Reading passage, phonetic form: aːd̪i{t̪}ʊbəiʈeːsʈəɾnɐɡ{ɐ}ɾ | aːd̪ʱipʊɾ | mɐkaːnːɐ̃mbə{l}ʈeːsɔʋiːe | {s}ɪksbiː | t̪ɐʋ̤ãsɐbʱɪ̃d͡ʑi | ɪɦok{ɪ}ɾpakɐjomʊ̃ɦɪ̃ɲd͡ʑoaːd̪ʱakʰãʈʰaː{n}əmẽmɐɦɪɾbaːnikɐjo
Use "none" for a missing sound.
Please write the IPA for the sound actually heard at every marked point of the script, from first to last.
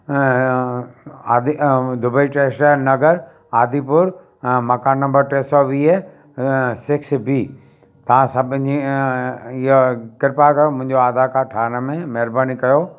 d̪, ə, ɾ, s, ɪ, n

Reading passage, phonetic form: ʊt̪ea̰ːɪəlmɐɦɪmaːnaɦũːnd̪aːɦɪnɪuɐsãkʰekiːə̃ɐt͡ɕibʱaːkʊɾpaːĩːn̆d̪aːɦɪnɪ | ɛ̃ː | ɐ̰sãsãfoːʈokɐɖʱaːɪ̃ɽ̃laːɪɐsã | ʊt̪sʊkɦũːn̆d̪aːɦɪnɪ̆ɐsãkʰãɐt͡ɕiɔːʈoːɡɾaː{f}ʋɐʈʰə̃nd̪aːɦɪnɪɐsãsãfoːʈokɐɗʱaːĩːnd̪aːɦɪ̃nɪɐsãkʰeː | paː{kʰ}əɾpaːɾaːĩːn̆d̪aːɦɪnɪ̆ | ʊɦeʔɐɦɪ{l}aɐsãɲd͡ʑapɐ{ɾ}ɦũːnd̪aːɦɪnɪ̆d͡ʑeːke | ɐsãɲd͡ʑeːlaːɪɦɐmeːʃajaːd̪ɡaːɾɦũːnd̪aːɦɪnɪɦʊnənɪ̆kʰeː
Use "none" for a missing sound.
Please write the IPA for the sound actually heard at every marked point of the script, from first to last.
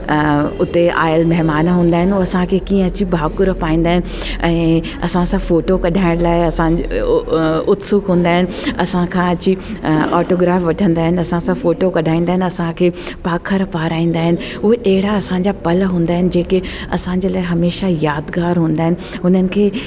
f, kʰ, ɽ, l

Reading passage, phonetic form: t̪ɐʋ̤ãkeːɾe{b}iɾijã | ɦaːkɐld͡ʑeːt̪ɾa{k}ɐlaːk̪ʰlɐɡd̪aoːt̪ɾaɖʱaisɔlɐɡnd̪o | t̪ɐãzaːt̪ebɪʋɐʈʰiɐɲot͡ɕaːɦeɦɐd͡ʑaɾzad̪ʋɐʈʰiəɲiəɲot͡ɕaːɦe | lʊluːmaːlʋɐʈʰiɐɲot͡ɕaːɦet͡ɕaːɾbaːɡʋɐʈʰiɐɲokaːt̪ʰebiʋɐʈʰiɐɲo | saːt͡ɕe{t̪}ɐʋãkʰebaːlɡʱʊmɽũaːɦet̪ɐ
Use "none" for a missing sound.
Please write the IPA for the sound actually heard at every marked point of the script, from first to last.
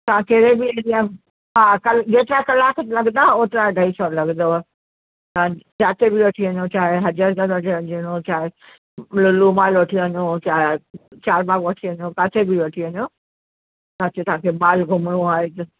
b, k, t̪

